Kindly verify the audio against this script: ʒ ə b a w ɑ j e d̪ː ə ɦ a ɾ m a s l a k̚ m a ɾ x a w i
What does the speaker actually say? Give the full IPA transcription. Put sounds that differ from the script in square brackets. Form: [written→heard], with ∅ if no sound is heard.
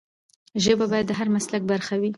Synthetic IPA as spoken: ʒ ə b a [w→b] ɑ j [e→a] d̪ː ə ɦ a ɾ m a s l a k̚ [m→b] a ɾ x a w i